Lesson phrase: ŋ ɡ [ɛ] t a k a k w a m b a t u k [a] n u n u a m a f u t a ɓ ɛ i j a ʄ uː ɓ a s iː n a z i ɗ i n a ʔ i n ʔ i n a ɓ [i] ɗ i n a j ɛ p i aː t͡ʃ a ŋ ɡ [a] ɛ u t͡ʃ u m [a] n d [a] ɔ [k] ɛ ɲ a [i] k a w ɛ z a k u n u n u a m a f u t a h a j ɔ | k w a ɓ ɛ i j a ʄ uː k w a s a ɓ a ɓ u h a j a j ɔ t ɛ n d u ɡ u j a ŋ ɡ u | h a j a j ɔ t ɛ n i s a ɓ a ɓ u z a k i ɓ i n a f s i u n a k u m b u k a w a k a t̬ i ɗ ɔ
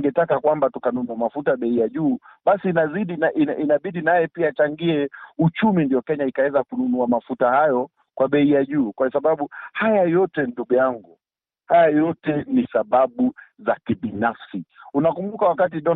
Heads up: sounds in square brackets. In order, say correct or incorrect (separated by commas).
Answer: correct, correct, correct, incorrect, incorrect, incorrect, correct, correct